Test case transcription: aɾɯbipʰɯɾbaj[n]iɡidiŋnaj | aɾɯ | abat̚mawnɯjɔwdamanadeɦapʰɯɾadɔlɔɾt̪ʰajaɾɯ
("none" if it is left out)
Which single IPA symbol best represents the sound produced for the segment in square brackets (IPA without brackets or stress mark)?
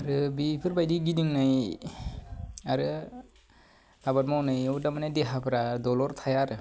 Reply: d